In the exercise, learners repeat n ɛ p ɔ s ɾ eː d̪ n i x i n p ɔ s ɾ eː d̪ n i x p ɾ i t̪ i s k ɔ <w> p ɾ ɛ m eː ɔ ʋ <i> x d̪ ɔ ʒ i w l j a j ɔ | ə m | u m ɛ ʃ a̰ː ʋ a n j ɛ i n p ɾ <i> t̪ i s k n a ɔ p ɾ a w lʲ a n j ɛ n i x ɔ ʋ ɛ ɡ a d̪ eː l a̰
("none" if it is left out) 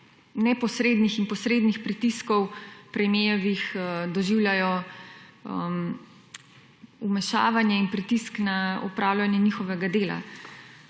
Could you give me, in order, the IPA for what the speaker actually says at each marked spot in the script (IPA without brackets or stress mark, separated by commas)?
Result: w, i, i